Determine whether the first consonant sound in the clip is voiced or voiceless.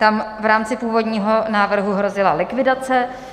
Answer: voiceless